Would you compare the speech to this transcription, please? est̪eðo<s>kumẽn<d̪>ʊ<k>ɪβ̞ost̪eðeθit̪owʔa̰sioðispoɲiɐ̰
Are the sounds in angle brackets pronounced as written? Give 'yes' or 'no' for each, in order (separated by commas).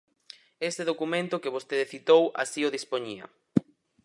no, no, yes